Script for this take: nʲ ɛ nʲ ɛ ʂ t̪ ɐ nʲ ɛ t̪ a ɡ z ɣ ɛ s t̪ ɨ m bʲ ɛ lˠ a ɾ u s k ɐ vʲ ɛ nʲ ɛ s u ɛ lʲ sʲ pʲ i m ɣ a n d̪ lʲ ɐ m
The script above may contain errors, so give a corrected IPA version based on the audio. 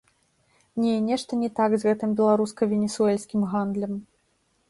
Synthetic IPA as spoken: nʲ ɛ nʲ ɛ ʂ t̪ ɐ nʲ ɛ t̪ a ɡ z ɣ ɛ t̪ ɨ m bʲ ɛ lˠ a ɾ u s k ɐ vʲ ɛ nʲ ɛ s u ɛ lʲ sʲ kʲ i m ɣ a n d̪ lʲ ɐ m